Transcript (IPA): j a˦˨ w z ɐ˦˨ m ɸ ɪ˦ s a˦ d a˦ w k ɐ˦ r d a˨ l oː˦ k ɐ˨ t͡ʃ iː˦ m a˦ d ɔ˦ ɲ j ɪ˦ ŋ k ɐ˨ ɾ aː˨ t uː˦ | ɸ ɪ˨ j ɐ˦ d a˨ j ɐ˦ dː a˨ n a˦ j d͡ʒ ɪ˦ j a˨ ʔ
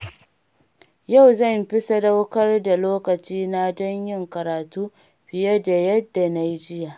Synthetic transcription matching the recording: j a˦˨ w z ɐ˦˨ m ɸ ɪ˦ s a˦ d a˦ w k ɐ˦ r d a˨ l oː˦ k ɐ˨ t͡ʃ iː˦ n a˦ d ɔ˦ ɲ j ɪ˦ ŋ k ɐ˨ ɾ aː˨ t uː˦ | ɸ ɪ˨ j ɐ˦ d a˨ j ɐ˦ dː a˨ n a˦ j d͡ʒ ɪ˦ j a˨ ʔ